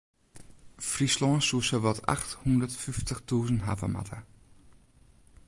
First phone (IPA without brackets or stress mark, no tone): f